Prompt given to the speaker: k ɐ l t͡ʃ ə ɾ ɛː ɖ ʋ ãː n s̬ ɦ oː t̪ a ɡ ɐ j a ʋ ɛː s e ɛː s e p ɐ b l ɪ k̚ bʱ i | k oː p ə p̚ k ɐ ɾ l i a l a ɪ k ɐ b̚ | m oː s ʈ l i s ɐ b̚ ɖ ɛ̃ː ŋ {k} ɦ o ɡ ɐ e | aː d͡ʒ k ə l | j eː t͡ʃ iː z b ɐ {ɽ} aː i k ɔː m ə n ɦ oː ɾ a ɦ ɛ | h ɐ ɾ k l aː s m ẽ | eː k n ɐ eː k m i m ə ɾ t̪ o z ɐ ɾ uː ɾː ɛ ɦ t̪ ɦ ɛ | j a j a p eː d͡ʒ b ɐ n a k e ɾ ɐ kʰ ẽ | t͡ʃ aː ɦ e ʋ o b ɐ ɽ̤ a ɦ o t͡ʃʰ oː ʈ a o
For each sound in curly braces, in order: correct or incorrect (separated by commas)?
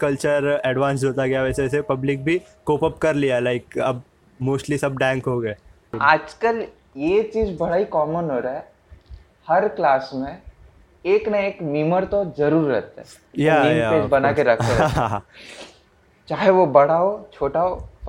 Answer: correct, correct